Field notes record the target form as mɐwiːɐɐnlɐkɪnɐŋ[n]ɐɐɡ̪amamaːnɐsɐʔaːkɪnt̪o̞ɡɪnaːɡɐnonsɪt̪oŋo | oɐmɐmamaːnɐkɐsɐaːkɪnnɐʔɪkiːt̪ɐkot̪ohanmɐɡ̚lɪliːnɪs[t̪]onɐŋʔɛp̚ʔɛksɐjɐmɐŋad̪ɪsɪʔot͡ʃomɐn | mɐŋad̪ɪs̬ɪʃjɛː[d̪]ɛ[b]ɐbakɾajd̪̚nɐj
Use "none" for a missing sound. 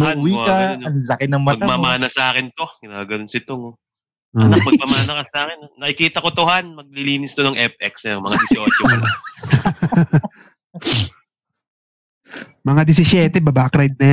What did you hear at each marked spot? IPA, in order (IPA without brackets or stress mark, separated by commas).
m, t̪, t̪, b